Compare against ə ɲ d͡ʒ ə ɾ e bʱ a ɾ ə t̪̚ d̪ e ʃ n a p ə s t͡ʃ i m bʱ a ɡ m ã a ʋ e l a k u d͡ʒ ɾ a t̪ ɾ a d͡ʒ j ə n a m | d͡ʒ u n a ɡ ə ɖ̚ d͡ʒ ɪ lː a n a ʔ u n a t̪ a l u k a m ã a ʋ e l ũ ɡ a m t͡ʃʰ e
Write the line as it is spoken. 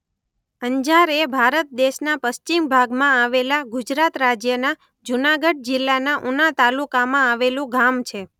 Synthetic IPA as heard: ə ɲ d͡ʒ a ɾ e bʱ a ɾ ə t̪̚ d̪ e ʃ n a p ə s t͡ʃ i m bʱ a ɡ m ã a ʋ e l a ɡ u d͡ʒ ɾ a t̪ ɾ a d͡ʒ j ə n a | d͡ʒ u n a ɡ ə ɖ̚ d͡ʒ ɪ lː a n a ʔ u n a t̪ a l u k a m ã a ʋ e l ũ ɡ a m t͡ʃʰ e